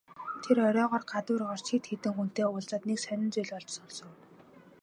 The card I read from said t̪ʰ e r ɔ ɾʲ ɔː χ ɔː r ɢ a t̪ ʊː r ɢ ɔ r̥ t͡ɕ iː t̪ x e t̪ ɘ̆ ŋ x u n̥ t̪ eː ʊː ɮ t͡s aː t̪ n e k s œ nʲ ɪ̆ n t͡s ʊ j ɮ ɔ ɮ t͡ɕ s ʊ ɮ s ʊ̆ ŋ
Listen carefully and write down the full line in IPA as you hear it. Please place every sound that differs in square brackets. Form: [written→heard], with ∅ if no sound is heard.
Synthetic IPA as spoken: t̪ʰ e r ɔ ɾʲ ɔː [χ→ʁ] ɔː r ɢ a t̪ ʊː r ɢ ɔ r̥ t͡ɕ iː t̪ x e t̪ ɘ̆ ŋ x u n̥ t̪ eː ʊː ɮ t͡s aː t̪ n e k s œ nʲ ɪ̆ n t͡s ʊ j ɮ ɔ ɮ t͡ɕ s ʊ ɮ s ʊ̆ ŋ